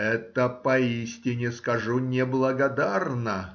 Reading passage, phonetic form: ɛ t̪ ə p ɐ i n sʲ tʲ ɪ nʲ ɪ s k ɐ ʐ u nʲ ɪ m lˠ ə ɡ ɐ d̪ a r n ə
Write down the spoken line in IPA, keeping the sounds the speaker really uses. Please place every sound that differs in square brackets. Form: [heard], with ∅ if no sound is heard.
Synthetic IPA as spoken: ɛ t̪ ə p ɐ i [∅] sʲ tʲ ɪ nʲ ɪ s k ɐ ʐ u nʲ ɪ [b] lˠ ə ɡ ɐ d̪ a r n ə

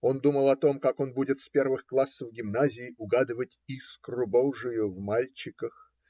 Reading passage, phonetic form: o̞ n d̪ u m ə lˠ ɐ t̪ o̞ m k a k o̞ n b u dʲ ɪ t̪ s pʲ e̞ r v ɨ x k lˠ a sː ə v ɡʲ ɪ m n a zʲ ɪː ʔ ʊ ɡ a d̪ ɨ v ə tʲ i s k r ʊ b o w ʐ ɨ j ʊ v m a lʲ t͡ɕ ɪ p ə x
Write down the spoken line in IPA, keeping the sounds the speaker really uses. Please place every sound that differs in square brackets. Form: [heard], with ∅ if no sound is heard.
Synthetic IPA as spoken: o̞ n d̪ u m ə lˠ ɐ t̪ o̞ m k a k o̞ n b u dʲ ɪ t̪ s pʲ e̞ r v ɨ x k lˠ a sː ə v ɡʲ ɪ m n a zʲ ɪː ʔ ʊ ɡ a d̪ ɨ v ə tʲ i s k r ʊ b o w ʐ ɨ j ʊ v m a lʲ t͡ɕ ɪ [k] ə x

